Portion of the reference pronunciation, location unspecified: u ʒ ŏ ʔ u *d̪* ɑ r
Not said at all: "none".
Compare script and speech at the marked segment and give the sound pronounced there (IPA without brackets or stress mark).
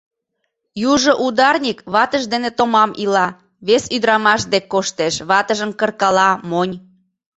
d̪